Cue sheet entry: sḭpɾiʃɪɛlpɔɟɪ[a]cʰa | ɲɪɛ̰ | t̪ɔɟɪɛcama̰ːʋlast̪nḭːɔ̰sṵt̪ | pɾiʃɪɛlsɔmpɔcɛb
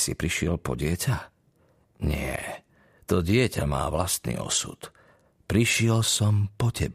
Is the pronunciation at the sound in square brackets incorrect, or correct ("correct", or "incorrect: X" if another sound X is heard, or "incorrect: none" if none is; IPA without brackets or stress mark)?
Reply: incorrect: ɛ